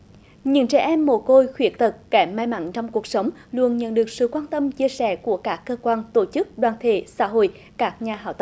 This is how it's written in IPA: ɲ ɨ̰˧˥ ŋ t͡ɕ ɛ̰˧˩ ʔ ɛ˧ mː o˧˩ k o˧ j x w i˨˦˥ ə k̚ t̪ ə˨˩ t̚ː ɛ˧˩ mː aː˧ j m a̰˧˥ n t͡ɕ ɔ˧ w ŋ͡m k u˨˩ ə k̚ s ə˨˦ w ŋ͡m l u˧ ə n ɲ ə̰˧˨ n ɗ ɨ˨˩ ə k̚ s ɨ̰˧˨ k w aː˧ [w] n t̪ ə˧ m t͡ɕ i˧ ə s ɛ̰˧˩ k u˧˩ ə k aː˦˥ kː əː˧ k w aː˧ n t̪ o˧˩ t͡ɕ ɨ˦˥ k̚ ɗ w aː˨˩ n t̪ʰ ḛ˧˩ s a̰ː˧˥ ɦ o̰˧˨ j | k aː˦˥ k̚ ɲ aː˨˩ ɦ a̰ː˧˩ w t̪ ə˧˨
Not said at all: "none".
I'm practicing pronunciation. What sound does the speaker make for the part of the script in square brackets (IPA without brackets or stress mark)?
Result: none